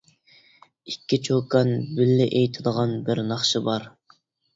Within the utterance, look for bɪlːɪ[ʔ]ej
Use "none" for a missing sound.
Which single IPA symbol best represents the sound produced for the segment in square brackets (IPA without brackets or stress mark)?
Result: ʔ